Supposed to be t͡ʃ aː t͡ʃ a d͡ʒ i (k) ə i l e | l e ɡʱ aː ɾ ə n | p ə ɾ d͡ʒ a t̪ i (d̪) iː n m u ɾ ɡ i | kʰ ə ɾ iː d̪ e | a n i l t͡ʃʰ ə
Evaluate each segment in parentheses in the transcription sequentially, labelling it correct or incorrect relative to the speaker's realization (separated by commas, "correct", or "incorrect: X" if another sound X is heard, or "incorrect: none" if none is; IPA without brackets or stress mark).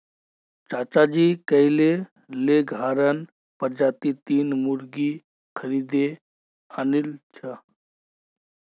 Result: correct, incorrect: t̪